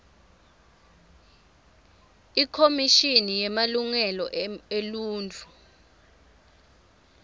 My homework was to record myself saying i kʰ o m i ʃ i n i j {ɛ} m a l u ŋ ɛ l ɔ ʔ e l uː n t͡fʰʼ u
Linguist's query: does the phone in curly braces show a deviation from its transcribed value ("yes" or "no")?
no